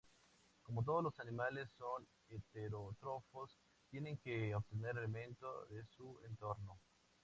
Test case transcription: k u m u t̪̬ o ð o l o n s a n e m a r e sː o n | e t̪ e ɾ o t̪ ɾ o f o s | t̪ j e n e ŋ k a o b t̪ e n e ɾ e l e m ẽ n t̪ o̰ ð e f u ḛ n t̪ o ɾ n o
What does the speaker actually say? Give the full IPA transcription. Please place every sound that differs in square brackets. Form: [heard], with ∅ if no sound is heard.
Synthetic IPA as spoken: k [o] m [o] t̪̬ o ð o l o [∅] s a n [i] m a [l] e sː o n | e t̪ e ɾ o t̪ ɾ o f o s | t̪ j e n e ŋ k [e] o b t̪ e n e ɾ e l e m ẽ n t̪ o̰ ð e [s] u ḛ n t̪ o ɾ n o